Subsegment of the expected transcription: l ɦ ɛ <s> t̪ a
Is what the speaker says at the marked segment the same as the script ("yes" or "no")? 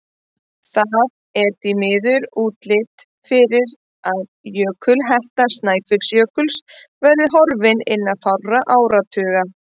no